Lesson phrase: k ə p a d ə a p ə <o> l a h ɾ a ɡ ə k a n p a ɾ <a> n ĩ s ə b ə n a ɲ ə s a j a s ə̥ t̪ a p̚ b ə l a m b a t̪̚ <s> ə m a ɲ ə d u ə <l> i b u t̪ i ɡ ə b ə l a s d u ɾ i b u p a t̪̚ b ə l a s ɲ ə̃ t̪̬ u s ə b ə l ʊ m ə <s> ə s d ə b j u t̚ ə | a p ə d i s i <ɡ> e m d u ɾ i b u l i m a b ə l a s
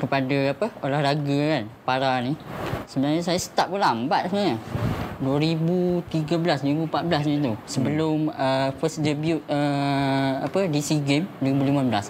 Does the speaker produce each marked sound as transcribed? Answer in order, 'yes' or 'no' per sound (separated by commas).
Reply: yes, yes, yes, no, no, yes